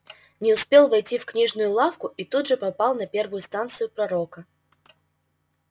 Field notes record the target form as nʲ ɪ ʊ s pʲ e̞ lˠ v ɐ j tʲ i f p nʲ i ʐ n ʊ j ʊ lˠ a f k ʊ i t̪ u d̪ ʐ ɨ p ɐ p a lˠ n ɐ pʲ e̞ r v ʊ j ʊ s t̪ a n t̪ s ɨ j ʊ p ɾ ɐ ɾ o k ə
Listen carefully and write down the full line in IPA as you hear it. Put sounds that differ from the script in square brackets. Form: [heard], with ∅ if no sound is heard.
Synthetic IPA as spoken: nʲ ɪ ʊ s pʲ e̞ lˠ v ɐ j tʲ i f [k] nʲ i ʐ n ʊ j ʊ lˠ a f k ʊ i t̪ u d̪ ʐ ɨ p ɐ p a lˠ n ɐ pʲ e̞ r v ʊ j ʊ s t̪ a n t̪ s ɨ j ʊ p ɾ ɐ ɾ o k ə